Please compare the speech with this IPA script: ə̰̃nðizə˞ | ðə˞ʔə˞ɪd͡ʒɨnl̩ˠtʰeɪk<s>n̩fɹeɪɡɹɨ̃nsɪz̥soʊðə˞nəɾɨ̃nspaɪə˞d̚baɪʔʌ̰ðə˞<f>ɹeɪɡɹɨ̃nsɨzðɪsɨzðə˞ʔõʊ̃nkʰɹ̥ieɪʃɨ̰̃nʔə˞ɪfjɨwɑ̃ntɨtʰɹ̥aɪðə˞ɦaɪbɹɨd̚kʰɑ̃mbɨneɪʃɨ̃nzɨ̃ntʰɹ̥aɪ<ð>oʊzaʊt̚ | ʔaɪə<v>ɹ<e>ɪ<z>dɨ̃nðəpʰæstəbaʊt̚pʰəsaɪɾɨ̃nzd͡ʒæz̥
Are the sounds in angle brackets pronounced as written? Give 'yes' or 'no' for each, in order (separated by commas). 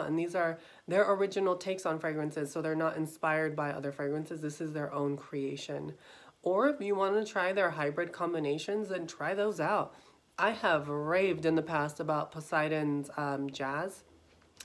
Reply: yes, yes, yes, yes, yes, no